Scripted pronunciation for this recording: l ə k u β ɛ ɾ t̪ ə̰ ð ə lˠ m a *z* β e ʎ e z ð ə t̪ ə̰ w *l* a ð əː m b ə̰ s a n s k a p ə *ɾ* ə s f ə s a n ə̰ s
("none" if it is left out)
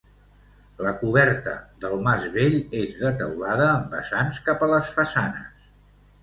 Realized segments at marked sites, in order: z, l, l

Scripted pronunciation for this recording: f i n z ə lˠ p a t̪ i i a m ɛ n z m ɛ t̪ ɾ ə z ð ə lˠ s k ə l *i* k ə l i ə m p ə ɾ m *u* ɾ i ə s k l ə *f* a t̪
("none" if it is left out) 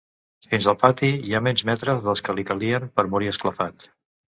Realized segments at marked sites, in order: i, u, f

